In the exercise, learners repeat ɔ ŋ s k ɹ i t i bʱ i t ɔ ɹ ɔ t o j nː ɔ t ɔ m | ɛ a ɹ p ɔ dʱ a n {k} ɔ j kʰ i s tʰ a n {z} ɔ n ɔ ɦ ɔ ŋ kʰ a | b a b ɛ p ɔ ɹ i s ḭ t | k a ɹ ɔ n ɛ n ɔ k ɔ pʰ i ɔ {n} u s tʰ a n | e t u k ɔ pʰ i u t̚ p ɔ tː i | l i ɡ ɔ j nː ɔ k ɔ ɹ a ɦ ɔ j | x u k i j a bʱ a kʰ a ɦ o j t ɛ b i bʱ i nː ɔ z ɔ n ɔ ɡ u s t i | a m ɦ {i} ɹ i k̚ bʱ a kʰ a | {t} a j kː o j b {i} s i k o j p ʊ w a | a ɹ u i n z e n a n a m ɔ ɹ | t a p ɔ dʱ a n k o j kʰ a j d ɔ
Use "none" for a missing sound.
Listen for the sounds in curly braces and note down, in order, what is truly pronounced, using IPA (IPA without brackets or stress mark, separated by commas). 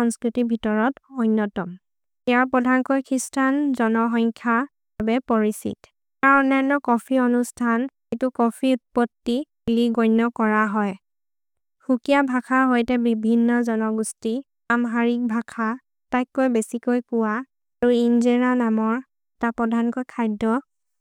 k, z, n, a, t, e